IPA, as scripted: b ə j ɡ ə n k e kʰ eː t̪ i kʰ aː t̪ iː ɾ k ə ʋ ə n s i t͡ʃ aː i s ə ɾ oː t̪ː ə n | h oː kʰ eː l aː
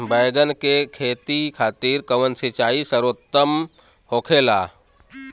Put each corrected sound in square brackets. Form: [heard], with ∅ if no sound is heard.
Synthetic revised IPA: b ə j ɡ ə n k e kʰ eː t̪ i kʰ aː t̪ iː ɾ k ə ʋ ə n s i t͡ʃ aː i s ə ɾ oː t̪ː ə [m] | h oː kʰ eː l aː